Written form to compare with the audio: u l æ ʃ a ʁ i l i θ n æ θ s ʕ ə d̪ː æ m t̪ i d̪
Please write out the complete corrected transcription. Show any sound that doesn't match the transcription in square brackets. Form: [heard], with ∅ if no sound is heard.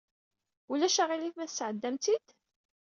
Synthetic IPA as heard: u l æ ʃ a ʁ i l i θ [m] æ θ s ʕ ə d̪ː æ m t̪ i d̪